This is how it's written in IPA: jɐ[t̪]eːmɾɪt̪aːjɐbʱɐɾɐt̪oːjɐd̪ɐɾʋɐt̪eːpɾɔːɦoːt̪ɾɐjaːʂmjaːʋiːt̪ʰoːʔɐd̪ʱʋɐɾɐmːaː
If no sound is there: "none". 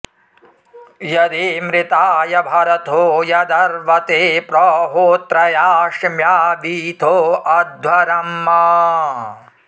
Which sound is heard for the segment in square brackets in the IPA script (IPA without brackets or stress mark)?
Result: d̪